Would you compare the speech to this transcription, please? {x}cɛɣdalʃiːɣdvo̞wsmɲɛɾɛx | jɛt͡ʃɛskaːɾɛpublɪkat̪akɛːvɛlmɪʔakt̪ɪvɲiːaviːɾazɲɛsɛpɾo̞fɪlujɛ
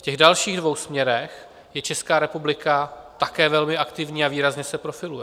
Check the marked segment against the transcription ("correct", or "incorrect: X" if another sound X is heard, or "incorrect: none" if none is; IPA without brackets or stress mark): incorrect: f